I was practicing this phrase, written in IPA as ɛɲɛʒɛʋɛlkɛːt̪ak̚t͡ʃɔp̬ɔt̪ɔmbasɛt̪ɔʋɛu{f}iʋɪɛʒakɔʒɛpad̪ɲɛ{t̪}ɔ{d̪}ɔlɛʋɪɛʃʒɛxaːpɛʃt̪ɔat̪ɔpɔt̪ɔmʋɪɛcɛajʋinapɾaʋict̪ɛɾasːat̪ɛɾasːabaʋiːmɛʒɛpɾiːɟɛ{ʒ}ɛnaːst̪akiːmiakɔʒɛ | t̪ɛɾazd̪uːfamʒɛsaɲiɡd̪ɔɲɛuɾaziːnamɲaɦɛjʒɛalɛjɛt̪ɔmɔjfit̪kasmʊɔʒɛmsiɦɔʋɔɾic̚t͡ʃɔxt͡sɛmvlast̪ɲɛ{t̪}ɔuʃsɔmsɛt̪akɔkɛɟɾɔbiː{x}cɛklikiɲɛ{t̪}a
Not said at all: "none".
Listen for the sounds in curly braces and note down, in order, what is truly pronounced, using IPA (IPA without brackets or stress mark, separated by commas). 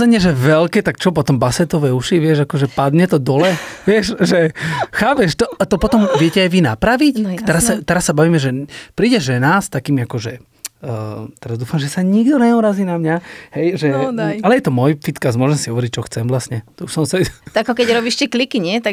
ʃ, t̪, d̪, ʒ, t̪, ʃ, t̪